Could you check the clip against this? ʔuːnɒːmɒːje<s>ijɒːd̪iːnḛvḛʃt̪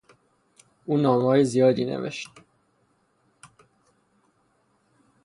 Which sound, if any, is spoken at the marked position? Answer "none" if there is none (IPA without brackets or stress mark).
z